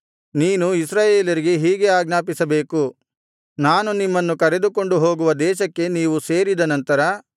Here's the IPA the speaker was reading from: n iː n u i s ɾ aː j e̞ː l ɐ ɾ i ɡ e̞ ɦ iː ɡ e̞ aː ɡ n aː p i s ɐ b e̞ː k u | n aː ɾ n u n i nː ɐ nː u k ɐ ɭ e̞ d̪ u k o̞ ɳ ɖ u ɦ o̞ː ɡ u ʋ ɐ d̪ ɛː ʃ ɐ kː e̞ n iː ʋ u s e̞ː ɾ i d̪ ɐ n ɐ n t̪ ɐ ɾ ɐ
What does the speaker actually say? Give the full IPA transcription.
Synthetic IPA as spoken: n iː n u i s ɾ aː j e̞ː l ɐ ɾ i ɡ e̞ ɦ iː ɡ e̞ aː ɡ n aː p i s ɐ b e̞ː k u | n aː n u n i mː ɐ nː u k ɐ ɾ e̞ d̪ u k o̞ ɳ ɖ u ɦ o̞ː ɡ u ʋ ɐ d̪ ɛː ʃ ɐ kː e̞ n iː ʋ u s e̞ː ɾ i d̪ ɐ n ɐ n t̪ ɐ ɾ ɐ